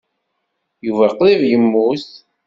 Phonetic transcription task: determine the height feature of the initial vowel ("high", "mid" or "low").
high